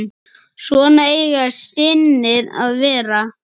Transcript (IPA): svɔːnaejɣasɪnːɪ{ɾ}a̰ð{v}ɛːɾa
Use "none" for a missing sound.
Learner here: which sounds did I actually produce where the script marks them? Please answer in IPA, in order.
ɾ, v

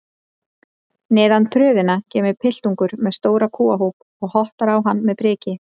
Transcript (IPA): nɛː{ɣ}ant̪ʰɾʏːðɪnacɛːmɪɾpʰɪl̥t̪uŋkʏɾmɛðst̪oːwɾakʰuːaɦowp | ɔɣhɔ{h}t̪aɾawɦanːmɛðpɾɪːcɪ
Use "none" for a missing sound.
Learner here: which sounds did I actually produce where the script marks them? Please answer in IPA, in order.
ð, h

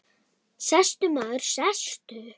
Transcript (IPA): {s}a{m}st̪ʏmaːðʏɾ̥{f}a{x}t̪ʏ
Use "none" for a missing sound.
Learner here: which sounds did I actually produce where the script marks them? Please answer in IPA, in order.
s, none, s, s

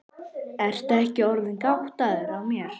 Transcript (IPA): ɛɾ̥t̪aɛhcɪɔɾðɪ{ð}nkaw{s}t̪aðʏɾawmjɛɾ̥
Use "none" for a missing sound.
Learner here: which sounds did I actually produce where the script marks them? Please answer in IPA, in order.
none, h

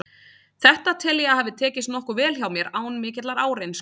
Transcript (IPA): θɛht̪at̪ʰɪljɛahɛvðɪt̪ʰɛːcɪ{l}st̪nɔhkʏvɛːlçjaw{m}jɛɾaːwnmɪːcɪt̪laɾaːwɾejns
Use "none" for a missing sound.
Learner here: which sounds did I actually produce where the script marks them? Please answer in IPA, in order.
none, m

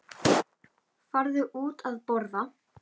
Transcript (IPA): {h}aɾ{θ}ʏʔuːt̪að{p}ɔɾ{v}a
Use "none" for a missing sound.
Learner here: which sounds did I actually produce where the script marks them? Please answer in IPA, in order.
f, ð, p, ð

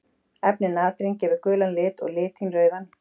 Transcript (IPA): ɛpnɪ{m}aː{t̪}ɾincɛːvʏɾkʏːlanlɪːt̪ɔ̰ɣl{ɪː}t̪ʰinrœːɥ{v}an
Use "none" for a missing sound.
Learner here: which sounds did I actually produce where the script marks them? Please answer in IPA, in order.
n, t̪, ɪː, ð

